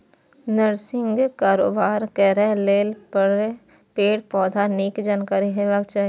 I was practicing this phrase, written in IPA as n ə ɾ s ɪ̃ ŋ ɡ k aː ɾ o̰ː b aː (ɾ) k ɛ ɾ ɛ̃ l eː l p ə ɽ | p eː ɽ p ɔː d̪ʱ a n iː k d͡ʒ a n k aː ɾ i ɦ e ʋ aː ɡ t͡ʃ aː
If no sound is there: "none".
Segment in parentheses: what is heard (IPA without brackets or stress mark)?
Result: ɾ